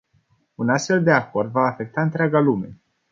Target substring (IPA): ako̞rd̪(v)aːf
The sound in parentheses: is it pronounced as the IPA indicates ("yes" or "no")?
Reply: yes